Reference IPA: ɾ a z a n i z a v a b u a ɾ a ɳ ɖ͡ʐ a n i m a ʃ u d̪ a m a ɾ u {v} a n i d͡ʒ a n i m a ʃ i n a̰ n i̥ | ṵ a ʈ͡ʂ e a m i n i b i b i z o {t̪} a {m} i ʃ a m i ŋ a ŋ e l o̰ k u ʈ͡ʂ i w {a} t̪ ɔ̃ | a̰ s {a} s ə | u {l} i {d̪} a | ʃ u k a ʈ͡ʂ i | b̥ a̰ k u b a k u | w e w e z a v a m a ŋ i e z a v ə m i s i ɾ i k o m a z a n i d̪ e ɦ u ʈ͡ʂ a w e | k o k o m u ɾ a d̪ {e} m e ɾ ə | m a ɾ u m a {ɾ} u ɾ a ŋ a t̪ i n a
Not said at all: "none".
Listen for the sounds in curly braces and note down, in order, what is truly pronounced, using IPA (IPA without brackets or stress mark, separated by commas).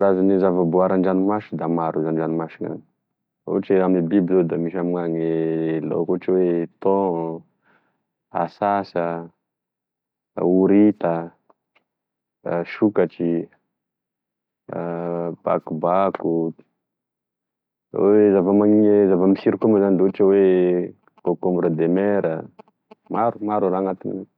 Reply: z, d̪, m, e, a, ɾ, t̪, e, ɾ